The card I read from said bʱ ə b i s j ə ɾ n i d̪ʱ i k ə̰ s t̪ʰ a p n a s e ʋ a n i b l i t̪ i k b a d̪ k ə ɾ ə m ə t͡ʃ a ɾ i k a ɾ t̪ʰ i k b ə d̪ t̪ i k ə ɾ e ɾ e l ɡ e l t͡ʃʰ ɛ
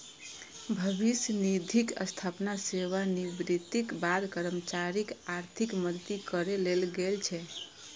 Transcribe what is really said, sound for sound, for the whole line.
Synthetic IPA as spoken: bʱ ə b i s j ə n i d̪ʱ i k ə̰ s t̪ʰ a p n a s e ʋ a n i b ɾ i t̪ i k b a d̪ k ə ɾ ə m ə t͡ʃ a ɾ i k a ɾ t̪ʰ i k m ə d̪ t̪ i k ə ɾ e l e l ɡ e l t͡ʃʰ ɛ